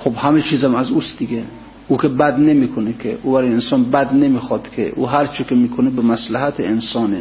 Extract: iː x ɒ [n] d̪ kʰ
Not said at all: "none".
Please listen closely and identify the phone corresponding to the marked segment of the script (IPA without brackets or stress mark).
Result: none